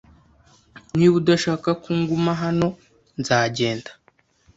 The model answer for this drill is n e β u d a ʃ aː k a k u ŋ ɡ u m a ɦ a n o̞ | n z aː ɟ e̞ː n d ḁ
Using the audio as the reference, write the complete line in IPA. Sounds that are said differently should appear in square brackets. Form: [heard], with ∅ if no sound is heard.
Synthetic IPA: n [i] β u d a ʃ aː k a k u ŋ ɡ u m a ɦ a n o̞ | n z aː ɟ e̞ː n d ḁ